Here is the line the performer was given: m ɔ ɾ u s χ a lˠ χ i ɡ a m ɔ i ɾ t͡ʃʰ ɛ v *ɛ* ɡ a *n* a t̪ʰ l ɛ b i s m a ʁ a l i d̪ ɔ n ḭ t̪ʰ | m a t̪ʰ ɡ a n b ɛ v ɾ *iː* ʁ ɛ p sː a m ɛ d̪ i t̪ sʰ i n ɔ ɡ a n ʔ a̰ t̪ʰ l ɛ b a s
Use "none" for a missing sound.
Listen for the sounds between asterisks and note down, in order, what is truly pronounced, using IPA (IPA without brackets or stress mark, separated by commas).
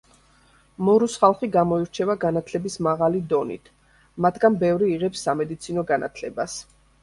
a, n, iː